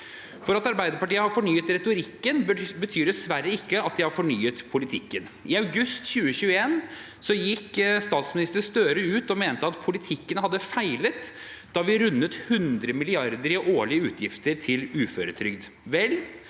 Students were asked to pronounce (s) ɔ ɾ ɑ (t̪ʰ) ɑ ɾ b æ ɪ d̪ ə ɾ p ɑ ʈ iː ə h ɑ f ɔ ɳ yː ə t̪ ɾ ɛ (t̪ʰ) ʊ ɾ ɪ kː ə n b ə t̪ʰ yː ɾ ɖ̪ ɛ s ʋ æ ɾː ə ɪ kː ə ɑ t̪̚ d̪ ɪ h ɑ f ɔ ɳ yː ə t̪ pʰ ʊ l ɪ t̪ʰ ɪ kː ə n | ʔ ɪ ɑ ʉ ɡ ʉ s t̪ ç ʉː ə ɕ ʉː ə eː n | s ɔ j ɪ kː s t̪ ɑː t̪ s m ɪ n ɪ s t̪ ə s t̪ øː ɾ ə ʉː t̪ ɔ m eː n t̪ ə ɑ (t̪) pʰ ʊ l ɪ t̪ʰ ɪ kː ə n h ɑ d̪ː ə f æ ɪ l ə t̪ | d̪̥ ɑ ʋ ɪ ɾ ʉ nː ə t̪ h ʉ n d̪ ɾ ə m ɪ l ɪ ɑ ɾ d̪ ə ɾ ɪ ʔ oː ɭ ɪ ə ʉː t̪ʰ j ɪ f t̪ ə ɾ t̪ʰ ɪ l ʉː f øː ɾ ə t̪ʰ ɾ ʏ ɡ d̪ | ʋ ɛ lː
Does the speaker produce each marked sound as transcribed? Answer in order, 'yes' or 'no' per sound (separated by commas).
no, no, no, yes